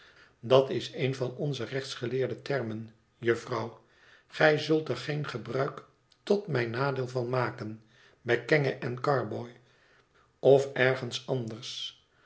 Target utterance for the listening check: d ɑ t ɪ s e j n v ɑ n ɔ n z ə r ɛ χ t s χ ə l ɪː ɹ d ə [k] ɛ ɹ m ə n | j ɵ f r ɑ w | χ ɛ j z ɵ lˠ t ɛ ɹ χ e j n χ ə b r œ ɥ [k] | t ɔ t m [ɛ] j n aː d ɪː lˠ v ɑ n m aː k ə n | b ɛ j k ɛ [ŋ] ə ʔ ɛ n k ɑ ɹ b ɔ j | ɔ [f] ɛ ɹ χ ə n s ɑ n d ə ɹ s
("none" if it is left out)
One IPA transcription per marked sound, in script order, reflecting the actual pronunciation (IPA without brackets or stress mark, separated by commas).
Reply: t, k, ɛ, ŋ, f